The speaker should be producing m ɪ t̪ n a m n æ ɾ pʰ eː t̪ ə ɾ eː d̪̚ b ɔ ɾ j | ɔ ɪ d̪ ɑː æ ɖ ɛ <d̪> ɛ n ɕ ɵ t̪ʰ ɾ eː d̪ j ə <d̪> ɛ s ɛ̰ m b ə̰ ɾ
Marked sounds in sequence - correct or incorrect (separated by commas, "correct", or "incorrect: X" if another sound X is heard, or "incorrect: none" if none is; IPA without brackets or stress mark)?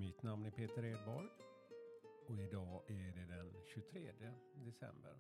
correct, correct